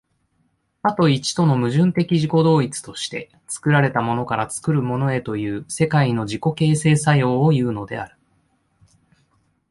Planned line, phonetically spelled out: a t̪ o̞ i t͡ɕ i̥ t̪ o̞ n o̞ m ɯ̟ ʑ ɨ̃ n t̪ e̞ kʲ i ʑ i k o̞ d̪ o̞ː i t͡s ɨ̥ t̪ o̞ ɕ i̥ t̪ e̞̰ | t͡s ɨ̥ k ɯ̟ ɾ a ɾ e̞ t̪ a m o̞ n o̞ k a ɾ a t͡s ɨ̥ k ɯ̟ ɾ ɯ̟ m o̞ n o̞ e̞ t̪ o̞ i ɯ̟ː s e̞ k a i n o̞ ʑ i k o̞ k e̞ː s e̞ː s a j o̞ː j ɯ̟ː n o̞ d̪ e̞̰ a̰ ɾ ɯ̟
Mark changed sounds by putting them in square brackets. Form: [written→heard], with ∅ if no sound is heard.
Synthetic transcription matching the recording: a t̪ o̞ i t͡ɕ i̥ t̪ o̞ n o̞ m ɯ̟ ʑ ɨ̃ n t̪ e̞ kʲ i ʑ i k o̞ d̪ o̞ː i t͡s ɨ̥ t̪ o̞ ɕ i̥ t̪ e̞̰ | t͡s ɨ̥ k ɯ̟ ɾ a ɾ e̞ t̪ a m o̞ n o̞ k a ɾ a t͡s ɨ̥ k ɯ̟ ɾ ɯ̟ m o̞ n o̞ e̞ t̪ o̞ [i→j] ɯ̟ː s e̞ k a i n o̞ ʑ i k o̞ k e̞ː s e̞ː s a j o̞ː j ɯ̟ː n o̞ d̪ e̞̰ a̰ ɾ ɯ̟